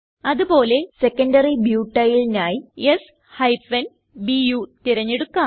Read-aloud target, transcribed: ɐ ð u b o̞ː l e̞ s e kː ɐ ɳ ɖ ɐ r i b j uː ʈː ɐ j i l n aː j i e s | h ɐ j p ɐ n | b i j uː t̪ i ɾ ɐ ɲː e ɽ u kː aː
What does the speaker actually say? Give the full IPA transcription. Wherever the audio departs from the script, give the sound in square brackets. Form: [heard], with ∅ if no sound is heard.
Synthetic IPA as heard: ɐ ð u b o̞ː l e̞ s e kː ɐ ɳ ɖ ɐ r i b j uː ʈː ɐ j i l n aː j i e s | h ɐ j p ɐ n | b i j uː t̪ i ɾ ɐ ɲː e ɽ u kː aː

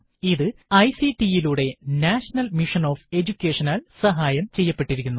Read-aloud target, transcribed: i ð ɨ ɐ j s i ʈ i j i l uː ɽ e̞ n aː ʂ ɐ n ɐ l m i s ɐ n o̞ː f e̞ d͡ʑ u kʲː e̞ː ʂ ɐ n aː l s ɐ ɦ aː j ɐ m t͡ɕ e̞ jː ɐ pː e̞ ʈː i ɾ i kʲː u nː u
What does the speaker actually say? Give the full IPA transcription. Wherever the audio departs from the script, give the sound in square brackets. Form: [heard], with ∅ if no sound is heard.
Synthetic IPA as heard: i ð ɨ ɐ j s i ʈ i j i l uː ɽ e̞ n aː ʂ ɐ n ɐ l m i [ʂ] ɐ n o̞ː f e̞ d͡ʑ u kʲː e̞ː ʂ ɐ n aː l s ɐ ɦ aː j ɐ m t͡ɕ e̞ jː ɐ pː e̞ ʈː i ɾ i kʲː u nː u

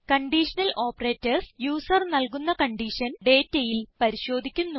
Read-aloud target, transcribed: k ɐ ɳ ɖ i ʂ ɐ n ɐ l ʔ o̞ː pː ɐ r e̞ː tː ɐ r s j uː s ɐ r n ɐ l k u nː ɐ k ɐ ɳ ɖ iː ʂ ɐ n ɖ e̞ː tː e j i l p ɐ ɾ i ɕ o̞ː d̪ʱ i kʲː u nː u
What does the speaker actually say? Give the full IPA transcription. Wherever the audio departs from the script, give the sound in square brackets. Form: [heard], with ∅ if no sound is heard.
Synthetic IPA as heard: k ɐ ɳ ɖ i ʂ ɐ n ɐ l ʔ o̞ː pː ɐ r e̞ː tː ɐ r s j uː s ɐ r n ɐ l k u nː ɐ k ɐ ɳ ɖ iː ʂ ɐ n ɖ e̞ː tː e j i l p ɐ ɾ i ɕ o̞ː d̪ʱ i kʲː u nː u

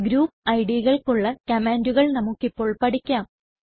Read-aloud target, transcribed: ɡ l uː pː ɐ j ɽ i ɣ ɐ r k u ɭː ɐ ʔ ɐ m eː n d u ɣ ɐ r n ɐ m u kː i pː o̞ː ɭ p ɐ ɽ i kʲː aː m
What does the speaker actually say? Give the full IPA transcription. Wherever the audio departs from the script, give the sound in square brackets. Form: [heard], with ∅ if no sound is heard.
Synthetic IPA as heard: ɡ [ɾ] uː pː ɐ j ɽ i ɣ ɐ [ɭ] k u ɭː ɐ [k] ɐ m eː n d u ɣ ɐ [ɭ] n ɐ m u kː i pː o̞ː ɭ p ɐ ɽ i kʲː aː m

